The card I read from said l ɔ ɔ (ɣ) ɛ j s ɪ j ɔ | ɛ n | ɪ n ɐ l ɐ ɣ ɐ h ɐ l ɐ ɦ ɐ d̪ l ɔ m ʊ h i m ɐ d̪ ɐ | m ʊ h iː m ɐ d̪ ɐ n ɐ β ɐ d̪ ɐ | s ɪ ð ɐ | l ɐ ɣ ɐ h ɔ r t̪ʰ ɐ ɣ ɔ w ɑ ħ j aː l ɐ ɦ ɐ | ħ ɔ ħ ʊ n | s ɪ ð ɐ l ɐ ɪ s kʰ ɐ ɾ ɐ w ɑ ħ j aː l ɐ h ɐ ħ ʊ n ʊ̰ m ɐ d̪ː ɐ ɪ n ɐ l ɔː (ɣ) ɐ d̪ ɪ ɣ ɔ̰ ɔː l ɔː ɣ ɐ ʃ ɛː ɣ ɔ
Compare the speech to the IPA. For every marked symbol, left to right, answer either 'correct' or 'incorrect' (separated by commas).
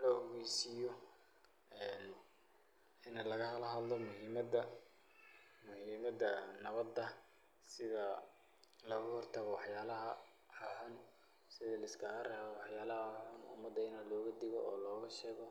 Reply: correct, correct